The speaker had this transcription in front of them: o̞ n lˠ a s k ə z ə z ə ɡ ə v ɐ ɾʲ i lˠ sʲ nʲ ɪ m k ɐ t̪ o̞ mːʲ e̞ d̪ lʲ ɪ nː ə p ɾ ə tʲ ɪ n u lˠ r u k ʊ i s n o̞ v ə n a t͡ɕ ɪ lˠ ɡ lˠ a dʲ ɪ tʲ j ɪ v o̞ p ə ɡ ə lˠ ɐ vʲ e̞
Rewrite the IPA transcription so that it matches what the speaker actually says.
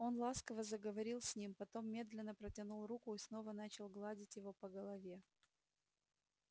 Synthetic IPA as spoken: o̞ n lˠ a s k ə v ə z ə ɡ ə v ɐ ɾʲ i lˠ sʲ nʲ i m p ɐ t̪ o̞ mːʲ e̞ d̪ lʲ ɪ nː ə p ɾ ə tʲ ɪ n u lˠ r u k ʊ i s n o̞ v ə n a t͡ɕ ɪ lˠ ɡ lˠ a dʲ ɪ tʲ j ɪ v o̞ p ə ɡ ə lˠ ɐ vʲ e̞